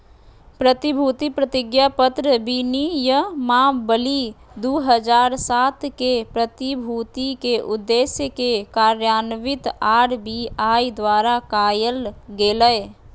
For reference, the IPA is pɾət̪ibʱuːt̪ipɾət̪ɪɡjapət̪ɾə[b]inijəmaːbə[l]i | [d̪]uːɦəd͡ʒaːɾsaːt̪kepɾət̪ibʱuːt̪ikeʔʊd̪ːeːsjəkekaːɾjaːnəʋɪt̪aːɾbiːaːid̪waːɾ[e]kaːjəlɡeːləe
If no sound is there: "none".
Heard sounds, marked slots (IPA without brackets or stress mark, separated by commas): b, l, d̪, a